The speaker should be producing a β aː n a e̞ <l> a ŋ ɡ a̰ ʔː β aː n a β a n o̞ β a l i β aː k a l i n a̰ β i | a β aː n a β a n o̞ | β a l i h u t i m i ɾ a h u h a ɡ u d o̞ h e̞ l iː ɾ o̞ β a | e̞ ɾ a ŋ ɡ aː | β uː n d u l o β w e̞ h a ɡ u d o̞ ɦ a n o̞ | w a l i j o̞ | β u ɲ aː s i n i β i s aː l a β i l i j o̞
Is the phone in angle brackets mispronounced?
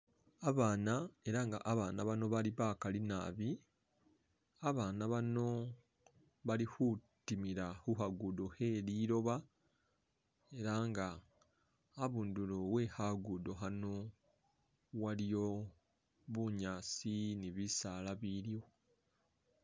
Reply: yes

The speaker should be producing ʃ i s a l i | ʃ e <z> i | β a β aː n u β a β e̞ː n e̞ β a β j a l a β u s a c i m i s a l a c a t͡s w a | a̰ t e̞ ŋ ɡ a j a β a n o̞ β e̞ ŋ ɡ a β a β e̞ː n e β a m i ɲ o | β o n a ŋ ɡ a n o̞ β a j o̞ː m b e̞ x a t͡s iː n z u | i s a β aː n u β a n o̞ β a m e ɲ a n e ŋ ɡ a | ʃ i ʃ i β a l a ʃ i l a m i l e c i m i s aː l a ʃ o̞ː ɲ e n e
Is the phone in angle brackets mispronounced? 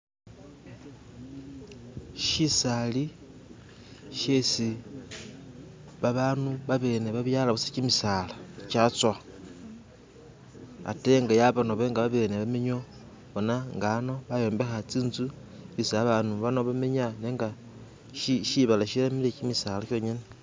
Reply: yes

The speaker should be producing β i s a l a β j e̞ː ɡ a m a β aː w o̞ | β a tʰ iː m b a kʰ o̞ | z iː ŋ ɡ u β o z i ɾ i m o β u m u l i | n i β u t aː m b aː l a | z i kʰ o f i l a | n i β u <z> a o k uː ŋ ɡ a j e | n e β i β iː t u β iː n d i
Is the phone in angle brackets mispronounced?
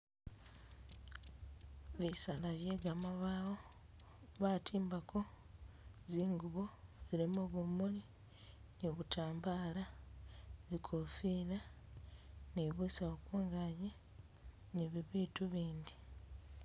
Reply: yes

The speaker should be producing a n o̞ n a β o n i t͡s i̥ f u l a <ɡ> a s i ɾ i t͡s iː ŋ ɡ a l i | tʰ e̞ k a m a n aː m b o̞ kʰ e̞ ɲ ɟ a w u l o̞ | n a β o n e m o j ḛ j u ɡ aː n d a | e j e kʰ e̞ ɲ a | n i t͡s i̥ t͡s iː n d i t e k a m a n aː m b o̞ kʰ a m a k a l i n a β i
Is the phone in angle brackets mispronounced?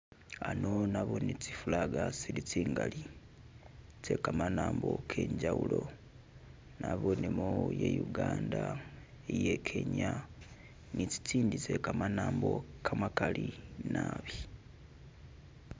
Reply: no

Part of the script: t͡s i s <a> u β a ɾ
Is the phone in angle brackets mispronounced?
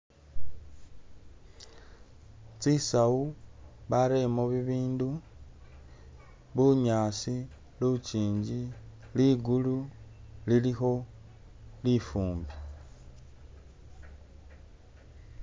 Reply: no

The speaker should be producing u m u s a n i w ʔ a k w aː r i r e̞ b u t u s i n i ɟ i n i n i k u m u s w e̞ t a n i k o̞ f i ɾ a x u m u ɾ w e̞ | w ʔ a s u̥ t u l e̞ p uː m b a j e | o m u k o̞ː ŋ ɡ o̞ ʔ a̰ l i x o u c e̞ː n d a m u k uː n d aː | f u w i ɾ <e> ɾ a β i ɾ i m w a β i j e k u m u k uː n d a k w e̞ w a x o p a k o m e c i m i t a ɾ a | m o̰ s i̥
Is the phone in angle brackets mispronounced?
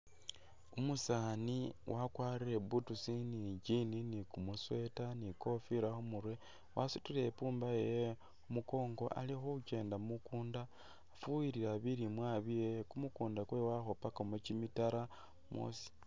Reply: yes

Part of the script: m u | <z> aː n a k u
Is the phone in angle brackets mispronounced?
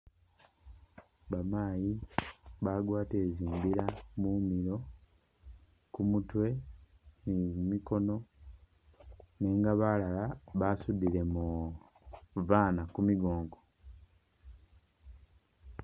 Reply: yes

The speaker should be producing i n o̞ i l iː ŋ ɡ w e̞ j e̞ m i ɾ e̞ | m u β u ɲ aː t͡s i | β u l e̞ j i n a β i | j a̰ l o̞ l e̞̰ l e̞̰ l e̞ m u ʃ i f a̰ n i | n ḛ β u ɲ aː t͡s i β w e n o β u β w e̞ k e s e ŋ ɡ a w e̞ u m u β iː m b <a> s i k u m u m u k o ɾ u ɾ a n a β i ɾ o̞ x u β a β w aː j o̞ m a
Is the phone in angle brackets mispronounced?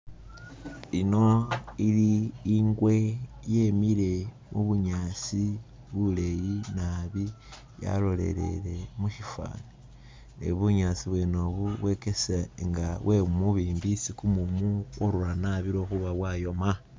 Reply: yes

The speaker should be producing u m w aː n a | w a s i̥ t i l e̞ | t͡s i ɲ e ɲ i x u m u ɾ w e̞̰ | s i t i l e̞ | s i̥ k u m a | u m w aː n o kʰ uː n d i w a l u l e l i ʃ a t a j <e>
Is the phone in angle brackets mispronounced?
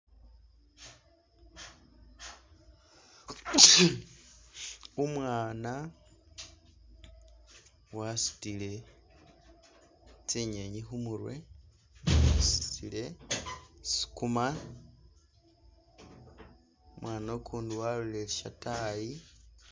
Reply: yes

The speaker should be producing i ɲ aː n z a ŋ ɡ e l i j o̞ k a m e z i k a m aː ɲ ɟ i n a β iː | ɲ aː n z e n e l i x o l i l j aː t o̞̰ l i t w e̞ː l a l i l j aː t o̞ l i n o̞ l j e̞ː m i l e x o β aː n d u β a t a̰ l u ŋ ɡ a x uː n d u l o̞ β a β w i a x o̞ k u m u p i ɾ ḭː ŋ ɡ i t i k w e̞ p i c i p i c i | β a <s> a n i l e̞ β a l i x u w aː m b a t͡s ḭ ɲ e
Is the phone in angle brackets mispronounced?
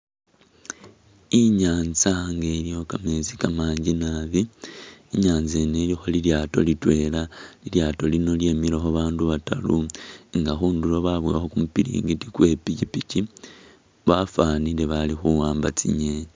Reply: yes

